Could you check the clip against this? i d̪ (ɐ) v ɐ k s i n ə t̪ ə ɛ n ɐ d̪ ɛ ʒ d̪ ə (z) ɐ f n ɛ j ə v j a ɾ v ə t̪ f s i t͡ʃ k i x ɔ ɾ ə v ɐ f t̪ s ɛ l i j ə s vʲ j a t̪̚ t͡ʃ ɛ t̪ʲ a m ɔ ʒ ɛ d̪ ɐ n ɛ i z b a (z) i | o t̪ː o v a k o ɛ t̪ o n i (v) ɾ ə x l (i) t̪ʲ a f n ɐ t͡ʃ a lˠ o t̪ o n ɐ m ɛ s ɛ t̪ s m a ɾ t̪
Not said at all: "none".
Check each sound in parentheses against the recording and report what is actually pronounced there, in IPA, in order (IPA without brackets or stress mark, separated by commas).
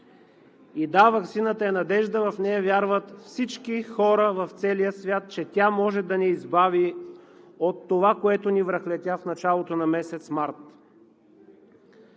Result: a, v, v, v, ɛ